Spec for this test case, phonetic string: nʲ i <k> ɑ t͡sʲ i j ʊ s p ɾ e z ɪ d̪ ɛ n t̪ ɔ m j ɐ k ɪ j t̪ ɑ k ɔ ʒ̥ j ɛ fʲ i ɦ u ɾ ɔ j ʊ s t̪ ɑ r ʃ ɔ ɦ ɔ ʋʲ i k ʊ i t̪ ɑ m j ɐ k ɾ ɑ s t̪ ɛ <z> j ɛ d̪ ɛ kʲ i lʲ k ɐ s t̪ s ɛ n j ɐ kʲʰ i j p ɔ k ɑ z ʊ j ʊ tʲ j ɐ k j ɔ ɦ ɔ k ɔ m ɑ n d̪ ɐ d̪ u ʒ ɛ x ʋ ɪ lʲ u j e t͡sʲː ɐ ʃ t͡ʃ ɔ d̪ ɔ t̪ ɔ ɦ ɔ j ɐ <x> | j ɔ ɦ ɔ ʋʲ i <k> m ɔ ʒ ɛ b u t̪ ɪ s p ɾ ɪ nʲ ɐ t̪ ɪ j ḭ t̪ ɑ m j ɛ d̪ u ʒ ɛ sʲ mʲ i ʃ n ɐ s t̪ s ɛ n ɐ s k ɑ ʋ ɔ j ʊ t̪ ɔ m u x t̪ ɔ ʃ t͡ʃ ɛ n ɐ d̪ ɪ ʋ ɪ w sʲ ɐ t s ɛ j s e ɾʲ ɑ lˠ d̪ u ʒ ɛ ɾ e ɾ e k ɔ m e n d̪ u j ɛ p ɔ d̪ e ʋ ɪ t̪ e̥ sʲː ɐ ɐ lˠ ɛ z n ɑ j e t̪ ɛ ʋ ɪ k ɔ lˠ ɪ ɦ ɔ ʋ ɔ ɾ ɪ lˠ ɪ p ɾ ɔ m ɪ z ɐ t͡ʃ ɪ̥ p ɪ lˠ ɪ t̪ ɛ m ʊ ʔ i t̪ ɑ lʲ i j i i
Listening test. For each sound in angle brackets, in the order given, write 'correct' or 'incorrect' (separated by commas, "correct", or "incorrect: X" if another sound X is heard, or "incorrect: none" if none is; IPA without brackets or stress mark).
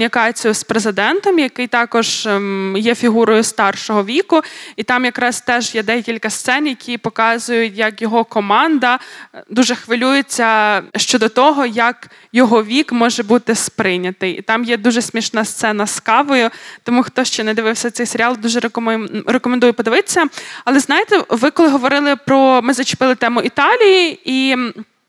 correct, incorrect: ʒ, incorrect: k, correct